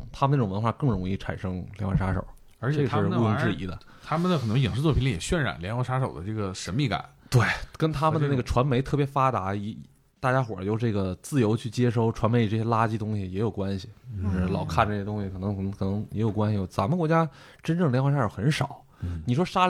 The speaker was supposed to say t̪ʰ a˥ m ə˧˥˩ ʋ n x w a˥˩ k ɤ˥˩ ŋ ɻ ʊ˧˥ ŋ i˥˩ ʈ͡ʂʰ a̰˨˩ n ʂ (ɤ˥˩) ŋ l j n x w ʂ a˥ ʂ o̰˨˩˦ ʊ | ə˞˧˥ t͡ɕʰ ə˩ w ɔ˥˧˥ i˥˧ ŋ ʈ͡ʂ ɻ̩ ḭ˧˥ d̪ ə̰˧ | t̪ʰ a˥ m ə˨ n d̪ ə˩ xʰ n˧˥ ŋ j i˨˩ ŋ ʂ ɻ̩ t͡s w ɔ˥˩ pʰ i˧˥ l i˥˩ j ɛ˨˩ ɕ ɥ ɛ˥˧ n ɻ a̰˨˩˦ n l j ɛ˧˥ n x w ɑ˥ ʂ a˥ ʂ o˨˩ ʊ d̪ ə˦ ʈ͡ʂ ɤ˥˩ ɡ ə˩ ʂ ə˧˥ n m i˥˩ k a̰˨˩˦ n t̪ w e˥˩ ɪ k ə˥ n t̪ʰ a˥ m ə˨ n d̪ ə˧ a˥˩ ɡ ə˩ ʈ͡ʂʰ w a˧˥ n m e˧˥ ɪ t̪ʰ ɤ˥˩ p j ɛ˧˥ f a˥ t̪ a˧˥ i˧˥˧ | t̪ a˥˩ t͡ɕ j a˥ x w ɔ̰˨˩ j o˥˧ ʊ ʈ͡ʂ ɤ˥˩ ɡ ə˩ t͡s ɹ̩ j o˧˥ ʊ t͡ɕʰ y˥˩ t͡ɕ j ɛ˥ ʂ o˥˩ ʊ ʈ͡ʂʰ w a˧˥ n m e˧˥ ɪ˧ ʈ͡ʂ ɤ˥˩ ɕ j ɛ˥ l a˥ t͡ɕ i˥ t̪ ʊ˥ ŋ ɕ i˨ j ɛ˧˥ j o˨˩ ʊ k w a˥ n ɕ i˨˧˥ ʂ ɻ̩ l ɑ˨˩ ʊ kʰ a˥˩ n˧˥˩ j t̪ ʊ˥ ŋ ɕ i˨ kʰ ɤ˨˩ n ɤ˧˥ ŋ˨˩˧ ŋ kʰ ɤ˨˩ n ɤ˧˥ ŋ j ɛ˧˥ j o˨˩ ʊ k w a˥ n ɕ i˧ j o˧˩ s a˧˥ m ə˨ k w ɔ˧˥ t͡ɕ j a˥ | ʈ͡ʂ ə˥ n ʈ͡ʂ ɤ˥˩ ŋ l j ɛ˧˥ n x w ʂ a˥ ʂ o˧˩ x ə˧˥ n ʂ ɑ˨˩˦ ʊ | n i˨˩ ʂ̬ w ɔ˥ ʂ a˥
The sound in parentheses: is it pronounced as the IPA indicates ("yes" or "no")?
no